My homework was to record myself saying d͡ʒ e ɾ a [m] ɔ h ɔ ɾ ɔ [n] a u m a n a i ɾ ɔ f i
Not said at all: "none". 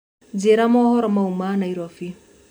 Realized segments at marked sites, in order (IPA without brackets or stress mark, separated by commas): m, m